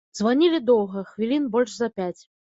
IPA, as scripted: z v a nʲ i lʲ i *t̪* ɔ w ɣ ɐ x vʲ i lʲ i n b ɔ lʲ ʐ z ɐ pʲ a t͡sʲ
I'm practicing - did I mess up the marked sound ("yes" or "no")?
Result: yes